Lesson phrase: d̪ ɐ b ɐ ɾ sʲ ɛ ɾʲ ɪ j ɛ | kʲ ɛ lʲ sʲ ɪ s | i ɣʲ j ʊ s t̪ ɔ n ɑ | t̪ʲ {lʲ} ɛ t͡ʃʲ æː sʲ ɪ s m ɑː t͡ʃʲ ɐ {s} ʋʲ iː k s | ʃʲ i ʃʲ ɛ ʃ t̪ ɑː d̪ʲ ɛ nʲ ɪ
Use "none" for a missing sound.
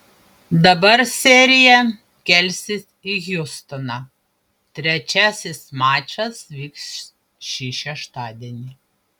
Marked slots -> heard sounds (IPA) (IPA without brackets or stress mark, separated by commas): ɾʲ, s